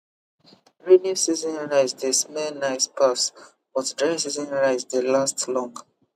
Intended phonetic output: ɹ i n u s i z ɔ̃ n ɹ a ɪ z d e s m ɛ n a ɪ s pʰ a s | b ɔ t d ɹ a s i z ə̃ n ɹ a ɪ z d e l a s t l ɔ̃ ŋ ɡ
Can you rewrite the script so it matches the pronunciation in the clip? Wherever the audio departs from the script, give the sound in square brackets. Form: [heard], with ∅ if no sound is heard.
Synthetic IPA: ɹ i n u s i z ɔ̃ n ɹ a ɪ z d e s m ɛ n a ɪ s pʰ a s | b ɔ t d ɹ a s i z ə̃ n ɹ a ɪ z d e l a s t l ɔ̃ ŋ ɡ